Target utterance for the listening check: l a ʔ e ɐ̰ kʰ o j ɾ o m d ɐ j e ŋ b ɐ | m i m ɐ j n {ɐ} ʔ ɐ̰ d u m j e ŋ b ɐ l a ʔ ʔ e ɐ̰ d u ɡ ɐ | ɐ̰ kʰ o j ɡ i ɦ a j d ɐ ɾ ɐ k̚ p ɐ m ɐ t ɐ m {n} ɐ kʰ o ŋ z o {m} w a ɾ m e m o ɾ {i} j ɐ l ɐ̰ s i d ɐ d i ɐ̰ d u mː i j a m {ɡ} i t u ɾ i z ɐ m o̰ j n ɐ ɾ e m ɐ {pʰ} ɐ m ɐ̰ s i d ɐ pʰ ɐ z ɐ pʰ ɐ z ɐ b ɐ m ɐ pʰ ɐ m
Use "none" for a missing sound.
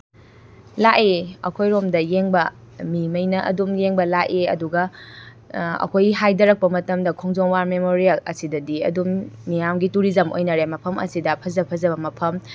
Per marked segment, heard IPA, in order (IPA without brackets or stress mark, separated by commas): ɐ, d, ŋ, i, ɡ, pʰ